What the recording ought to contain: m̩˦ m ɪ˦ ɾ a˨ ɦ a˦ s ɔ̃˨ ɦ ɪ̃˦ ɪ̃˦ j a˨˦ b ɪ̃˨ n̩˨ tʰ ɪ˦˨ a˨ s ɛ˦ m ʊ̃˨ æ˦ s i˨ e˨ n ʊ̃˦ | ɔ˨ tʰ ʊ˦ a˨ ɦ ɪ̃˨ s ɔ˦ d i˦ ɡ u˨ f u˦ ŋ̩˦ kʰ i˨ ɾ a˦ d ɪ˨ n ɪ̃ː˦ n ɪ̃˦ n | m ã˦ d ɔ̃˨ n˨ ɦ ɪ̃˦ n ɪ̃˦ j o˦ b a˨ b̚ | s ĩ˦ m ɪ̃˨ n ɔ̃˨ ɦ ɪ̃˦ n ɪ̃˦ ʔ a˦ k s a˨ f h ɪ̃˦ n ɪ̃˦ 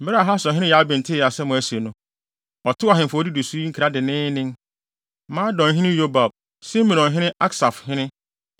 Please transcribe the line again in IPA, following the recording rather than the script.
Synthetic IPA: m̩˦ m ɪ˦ ɾ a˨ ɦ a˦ s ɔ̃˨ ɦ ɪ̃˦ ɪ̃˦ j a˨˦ b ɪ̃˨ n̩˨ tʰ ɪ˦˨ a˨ s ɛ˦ m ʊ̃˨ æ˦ s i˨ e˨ n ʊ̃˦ | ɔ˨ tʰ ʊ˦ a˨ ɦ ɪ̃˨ f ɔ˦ d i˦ d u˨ s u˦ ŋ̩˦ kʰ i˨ ɾ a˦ d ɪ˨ n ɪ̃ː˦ n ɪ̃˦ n | m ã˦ d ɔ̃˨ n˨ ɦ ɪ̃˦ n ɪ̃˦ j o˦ b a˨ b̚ | s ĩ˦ m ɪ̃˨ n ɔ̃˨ ɦ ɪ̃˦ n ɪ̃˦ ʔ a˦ k s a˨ f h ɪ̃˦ n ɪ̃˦